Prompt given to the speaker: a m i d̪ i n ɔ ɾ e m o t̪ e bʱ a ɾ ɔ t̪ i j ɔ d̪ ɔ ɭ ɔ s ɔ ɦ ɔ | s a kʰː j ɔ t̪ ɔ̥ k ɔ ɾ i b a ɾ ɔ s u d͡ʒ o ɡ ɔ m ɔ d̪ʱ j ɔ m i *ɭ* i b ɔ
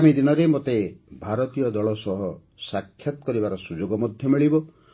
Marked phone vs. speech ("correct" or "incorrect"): correct